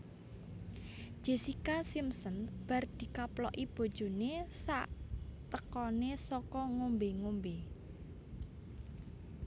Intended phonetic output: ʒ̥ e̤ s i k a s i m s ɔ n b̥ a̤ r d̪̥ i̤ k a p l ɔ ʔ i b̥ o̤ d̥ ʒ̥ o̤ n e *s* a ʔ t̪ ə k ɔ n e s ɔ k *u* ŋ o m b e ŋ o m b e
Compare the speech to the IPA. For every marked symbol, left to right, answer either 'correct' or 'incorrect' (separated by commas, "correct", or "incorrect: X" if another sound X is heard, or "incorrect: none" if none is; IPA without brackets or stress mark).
correct, incorrect: ɔ